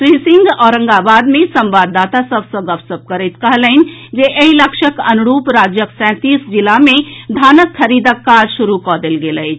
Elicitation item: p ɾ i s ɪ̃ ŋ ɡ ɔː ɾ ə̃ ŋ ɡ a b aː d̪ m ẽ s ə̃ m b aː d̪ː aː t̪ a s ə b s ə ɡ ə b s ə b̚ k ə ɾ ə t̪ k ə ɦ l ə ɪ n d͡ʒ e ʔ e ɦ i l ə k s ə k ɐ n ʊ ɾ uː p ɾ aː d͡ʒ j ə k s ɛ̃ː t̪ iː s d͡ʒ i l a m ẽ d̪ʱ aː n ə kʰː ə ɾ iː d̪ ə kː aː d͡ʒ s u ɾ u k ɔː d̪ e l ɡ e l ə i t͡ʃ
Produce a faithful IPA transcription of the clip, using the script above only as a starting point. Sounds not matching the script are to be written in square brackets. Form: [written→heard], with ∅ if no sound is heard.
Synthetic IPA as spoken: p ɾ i s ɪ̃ ŋ ɡ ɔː ɾ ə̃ ŋ ɡ a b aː d̪ m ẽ s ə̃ m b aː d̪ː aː t̪ a s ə b s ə ɡ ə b s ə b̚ k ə ɾ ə t̪ k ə ɦ l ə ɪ n d͡ʒ e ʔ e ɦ i l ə k [s→ʃ] ə k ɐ n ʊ ɾ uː p ɾ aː d͡ʒ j ə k s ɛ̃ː t̪ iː s d͡ʒ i l a m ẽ d̪ʱ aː n ə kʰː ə ɾ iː d̪ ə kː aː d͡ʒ [s→ʃ] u ɾ u k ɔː d̪ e l ɡ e l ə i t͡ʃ

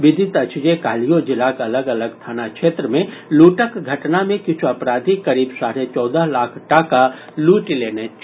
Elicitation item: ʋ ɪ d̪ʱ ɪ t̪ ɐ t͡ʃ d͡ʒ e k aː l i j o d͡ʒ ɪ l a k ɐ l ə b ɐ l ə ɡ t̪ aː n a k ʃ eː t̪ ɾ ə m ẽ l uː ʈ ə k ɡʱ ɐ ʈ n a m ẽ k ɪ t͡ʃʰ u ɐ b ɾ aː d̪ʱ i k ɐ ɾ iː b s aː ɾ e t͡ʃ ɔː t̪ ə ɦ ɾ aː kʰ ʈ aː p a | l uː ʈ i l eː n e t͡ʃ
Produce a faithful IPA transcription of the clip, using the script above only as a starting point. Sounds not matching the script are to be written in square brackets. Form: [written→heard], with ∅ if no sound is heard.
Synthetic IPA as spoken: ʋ ɪ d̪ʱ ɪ t̪ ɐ t͡ʃ d͡ʒ e k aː l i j o d͡ʒ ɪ l a k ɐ l ə [b→ɡ] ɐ l ə ɡ [t̪→t̪ʰ] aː n a k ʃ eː t̪ ɾ ə m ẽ l uː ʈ ə k ɡʱ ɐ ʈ n a m ẽ k ɪ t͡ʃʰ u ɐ [b→p] ɾ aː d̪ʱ i k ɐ ɾ iː b s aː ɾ e t͡ʃ ɔː [t̪→d̪] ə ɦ [ɾ→l] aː kʰ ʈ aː [p→k] a | l uː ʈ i l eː n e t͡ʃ

